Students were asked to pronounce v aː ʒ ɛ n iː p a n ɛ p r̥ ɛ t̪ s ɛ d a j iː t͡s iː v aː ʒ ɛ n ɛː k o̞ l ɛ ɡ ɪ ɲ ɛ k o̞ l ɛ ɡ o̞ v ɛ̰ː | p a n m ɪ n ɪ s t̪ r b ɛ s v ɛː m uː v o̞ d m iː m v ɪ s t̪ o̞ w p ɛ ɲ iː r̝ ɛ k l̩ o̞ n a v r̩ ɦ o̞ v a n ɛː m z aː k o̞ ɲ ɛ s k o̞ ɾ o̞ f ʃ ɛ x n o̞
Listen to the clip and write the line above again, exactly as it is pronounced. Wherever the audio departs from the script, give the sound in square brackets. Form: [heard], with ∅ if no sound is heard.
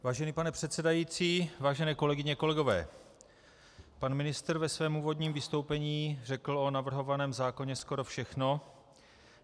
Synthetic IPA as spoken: v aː ʒ ɛ n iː p a n ɛ p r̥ ɛ t̪ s ɛ d a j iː t͡s iː v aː ʒ ɛ n ɛː k o̞ l ɛ ɡ ɪ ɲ ɛ k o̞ l ɛ ɡ o̞ v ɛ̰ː | p a n m ɪ n ɪ s t̪ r [v] ɛ s v ɛː m uː v o̞ d [ɲ] iː m v ɪ s t̪ o̞ w p ɛ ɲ iː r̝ ɛ k l̩ o̞ n a v r̩ ɦ o̞ v a n ɛː m z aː k o̞ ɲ ɛ s k o̞ ɾ o̞ f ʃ ɛ x n o̞

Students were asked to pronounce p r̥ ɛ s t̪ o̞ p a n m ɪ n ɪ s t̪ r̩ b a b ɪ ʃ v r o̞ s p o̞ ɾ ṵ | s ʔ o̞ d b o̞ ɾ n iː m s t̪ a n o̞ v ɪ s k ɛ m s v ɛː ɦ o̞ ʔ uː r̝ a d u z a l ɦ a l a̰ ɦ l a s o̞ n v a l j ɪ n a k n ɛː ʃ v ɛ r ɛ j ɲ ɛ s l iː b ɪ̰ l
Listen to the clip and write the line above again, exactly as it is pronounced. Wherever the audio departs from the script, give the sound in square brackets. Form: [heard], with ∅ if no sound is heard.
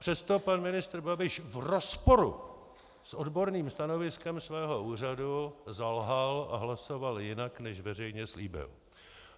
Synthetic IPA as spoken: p r̥ ɛ s t̪ o̞ p a n m ɪ n ɪ s t̪ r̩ b a b ɪ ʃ v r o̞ s p o̞ ɾ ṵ | s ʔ o̞ d b o̞ ɾ n iː m s t̪ a n o̞ v ɪ s k ɛ m s v ɛː ɦ o̞ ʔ uː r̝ a d u z a l ɦ a l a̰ ɦ l a s o̞ [∅] v a l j ɪ n a k n [ɛ] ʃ v ɛ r ɛ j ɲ ɛ s l iː b ɪ̰ l

